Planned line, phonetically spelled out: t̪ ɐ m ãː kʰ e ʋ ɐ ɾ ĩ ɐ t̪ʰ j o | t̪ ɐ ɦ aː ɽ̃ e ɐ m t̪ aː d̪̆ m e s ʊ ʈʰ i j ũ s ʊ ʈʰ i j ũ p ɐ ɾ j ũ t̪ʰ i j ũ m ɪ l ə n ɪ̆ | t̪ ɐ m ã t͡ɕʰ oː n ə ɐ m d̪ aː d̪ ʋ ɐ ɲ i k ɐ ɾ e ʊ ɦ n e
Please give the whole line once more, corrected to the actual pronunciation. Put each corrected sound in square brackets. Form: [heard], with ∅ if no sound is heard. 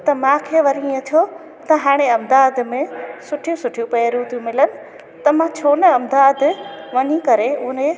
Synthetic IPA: t̪ ɐ m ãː kʰ e ʋ ɐ ɾ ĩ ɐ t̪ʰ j o | t̪ ɐ ɦ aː ɽ̃ e ɐ m [d̪] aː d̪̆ m [ẽ] s ʊ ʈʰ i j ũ s ʊ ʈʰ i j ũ p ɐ ɾ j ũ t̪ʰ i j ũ m ɪ l ə n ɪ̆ | t̪ ɐ m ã t͡ɕʰ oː n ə ɐ m d̪ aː d̪ ʋ ɐ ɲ i k ɐ ɾ e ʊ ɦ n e